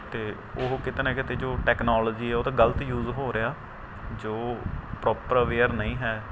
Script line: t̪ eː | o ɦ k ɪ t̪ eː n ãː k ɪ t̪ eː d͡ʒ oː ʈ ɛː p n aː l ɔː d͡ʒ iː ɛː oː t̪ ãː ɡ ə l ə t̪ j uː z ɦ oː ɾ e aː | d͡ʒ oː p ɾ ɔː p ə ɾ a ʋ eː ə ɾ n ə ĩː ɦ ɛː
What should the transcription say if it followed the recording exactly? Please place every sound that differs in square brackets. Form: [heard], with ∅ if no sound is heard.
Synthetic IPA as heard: t̪ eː | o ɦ k ɪ t̪ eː n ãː k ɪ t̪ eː d͡ʒ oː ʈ ɛː [k] n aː l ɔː d͡ʒ iː ɛː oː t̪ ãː ɡ ə l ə t̪ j uː z ɦ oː ɾ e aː | d͡ʒ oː p ɾ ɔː p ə ɾ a ʋ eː ə ɾ n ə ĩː ɦ ɛː